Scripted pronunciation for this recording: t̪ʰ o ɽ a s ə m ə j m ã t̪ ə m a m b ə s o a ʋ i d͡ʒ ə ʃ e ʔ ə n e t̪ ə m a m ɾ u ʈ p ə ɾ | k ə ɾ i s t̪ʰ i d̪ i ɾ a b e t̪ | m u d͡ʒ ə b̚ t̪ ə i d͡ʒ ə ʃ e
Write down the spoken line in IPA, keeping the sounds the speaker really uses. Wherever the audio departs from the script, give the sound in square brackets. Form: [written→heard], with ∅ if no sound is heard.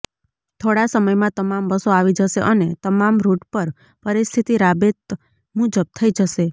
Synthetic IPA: t̪ʰ o ɽ a s ə m ə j m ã t̪ ə m a m b ə s o a ʋ i d͡ʒ ə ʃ e ʔ ə n e t̪ ə m a m ɾ u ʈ p ə ɾ | [k→p] ə ɾ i s t̪ʰ i [d̪→t̪] i ɾ a b e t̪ | m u d͡ʒ ə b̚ [t̪→t̪ʰ] ə i d͡ʒ ə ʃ e